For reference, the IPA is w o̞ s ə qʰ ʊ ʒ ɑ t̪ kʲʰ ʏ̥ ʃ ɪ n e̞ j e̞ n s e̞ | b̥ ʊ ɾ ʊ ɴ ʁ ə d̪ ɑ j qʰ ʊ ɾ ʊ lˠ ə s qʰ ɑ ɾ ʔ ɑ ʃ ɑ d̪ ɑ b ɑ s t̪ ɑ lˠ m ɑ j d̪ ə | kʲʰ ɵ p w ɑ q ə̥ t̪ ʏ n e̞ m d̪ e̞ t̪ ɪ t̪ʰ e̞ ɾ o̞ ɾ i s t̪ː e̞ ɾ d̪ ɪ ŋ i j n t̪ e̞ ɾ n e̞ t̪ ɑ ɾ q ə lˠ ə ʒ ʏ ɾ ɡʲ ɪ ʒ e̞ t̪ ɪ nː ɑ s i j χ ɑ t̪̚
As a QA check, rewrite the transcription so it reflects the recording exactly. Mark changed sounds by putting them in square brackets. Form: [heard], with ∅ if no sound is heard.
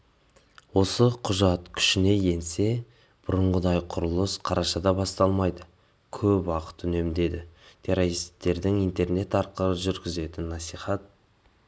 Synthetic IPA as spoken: w o̞ s ə qʰ ʊ ʒ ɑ t̪ kʲʰ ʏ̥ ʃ ɪ n e̞ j e̞ n s e̞ | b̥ ʊ ɾ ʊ ɴ ʁ ə d̪ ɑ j qʰ ʊ ɾ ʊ lˠ ə s qʰ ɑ ɾ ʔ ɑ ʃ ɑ d̪ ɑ b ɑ s t̪ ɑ lˠ m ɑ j d̪ ə | kʲʰ ɵ p w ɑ q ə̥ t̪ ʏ n e̞ m d̪ e̞ [d̪] ɪ t̪ʰ e̞ ɾ o̞ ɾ i s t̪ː e̞ ɾ d̪ ɪ ŋ i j n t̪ e̞ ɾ n e̞ t̪ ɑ ɾ q ə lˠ ə ʒ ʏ ɾ ɡʲ ɪ [z] e̞ t̪ ɪ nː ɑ s i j χ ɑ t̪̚